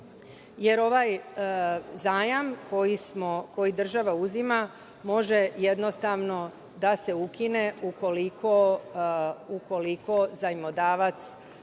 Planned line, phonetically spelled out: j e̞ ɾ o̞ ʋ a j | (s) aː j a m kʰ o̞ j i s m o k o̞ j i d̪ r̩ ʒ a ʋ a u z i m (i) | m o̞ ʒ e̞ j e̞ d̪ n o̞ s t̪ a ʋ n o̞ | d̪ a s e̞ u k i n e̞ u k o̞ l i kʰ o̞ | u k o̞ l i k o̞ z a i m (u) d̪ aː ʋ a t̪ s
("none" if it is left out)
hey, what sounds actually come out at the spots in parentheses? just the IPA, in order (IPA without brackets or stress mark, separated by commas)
z, a, o